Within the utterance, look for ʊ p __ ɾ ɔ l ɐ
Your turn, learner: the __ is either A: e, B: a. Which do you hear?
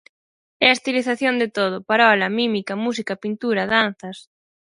B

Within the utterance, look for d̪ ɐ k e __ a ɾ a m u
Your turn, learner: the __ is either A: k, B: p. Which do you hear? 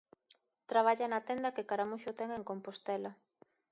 A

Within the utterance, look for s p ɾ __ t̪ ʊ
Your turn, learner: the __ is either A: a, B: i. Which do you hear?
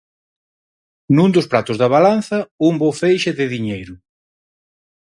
A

